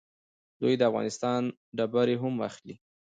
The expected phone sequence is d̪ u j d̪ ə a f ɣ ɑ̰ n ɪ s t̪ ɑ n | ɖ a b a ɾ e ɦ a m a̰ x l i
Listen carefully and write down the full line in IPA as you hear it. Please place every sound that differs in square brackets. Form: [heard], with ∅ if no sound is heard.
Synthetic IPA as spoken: d̪ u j d̪ ə a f ɣ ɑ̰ n ɪ s t̪ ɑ n | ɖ a b a ɾ e ɦ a m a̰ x l i